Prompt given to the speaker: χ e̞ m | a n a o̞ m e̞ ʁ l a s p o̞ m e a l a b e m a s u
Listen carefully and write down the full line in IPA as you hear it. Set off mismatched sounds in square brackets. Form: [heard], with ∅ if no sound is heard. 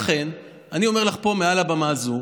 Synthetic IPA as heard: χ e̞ [n] | a n [i] o̞ m e̞ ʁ l a [χ] p o̞ m e a l a b [a] m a [z] u